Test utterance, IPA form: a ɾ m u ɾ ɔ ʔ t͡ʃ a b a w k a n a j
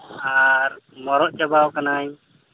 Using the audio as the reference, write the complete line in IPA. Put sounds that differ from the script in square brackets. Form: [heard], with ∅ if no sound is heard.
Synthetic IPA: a ɾ m [ɔ] ɾ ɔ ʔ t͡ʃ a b a w k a n a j